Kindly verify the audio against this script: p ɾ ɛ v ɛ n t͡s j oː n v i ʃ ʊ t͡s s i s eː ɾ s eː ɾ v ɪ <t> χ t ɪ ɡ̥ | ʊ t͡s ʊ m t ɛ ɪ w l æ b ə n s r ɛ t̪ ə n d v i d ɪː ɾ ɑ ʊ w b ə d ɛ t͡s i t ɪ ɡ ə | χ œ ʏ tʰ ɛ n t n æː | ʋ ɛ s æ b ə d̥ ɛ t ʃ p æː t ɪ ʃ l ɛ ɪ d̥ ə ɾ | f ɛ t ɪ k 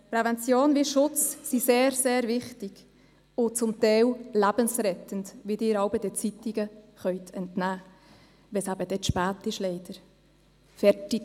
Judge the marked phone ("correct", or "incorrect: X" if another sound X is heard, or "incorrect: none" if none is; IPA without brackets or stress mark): incorrect: none